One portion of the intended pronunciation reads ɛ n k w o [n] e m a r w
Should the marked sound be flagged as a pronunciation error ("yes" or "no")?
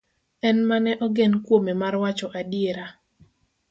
yes